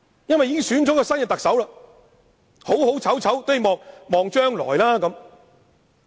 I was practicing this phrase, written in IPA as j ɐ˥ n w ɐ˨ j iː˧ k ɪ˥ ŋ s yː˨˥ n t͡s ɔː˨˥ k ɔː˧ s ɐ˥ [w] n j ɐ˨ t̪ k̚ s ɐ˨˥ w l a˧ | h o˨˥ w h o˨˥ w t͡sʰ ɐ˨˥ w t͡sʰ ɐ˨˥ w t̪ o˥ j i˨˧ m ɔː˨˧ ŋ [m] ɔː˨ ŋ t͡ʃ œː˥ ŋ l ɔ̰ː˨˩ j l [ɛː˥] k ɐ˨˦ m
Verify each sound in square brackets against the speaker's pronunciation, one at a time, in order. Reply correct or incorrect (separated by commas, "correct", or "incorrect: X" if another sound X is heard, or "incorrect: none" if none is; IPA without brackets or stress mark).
incorrect: none, correct, incorrect: aː˥